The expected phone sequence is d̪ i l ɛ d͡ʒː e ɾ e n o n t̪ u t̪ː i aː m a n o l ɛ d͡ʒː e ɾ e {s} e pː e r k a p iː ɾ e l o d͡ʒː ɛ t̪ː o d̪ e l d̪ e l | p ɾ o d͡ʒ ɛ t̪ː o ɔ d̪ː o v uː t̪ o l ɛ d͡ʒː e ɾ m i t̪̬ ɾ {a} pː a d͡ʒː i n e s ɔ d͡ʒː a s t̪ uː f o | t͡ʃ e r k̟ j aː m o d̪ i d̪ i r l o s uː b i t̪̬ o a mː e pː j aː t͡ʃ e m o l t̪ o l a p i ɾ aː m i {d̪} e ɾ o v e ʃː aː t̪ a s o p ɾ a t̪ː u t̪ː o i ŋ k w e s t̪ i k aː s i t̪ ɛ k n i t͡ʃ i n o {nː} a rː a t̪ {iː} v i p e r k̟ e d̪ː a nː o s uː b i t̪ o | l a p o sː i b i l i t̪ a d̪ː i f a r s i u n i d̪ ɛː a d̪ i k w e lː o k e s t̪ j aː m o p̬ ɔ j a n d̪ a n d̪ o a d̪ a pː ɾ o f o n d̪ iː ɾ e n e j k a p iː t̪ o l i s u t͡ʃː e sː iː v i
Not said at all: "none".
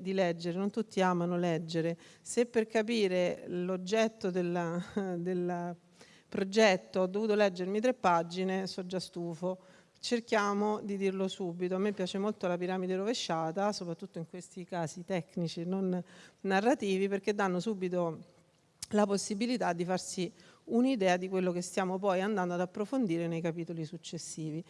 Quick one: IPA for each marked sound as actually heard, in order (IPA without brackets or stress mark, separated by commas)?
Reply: s, e, d̪, nː, iː